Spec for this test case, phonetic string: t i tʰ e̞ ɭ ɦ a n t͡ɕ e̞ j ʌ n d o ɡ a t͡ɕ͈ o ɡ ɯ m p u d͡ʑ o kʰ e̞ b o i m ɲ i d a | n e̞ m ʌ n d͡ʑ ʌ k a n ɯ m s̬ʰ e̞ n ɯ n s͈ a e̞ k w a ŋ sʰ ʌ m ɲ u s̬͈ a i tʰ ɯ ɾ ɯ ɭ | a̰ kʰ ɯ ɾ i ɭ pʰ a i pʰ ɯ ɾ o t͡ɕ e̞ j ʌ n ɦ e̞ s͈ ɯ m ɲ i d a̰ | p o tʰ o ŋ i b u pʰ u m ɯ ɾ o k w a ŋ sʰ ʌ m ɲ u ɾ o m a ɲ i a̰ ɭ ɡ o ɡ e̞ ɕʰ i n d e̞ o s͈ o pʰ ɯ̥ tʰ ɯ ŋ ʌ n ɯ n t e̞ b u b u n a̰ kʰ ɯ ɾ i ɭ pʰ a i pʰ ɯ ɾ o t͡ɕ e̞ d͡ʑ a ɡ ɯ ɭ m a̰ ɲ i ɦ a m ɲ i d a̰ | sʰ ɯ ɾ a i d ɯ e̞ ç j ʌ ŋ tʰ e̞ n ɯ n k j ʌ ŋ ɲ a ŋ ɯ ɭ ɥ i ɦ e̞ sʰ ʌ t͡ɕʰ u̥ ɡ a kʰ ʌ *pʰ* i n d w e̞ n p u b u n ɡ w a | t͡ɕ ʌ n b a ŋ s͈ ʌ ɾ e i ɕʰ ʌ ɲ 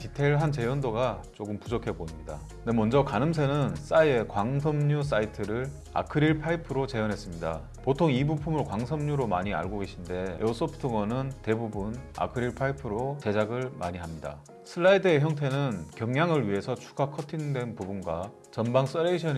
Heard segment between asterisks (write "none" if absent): tʰ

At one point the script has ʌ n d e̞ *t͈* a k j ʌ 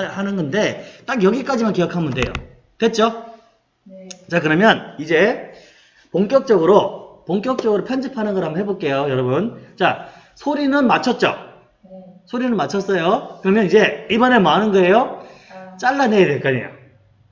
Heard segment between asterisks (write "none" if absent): t͈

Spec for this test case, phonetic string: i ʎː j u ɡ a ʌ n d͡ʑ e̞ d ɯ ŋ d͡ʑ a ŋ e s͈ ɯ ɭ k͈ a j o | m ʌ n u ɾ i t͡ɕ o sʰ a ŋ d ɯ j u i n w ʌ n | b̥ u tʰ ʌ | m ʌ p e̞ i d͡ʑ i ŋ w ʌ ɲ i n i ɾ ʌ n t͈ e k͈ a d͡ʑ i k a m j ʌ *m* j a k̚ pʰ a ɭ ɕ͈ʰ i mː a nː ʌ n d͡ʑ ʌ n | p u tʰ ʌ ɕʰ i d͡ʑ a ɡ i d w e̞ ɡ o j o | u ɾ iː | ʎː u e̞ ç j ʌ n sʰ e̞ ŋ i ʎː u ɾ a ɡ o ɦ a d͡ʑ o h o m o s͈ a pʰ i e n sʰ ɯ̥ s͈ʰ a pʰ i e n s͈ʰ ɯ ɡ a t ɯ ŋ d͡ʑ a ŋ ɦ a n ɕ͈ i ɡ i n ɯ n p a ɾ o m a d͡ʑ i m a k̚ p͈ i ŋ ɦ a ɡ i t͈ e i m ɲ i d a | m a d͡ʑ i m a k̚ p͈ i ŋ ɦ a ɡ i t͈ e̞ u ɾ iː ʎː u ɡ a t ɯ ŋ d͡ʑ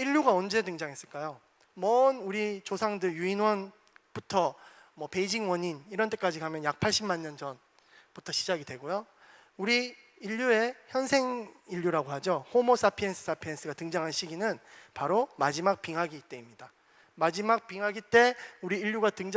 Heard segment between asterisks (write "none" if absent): n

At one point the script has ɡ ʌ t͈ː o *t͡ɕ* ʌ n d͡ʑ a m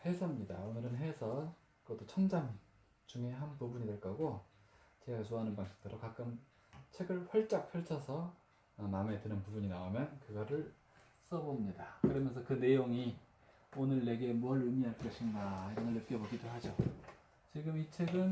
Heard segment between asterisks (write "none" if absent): t͡ɕʰ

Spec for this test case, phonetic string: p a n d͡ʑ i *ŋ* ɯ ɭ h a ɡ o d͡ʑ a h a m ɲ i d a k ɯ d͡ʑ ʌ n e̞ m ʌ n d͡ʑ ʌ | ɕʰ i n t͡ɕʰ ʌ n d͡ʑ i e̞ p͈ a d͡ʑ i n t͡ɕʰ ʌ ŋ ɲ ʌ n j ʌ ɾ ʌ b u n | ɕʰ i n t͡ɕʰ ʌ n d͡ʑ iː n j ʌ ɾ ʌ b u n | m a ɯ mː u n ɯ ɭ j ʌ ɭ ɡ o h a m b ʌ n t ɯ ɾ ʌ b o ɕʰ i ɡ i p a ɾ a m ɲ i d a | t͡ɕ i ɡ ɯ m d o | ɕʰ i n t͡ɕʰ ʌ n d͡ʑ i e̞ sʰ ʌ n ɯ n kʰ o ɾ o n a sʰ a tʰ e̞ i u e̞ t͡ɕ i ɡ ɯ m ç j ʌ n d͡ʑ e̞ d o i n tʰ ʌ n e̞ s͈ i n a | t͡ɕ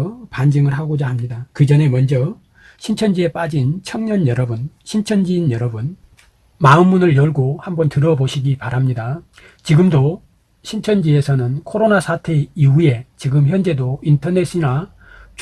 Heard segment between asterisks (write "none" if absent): ŋ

